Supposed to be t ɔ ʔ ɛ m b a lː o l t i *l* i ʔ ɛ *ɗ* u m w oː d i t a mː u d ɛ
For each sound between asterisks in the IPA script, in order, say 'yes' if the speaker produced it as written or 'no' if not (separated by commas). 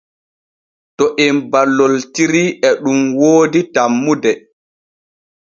no, yes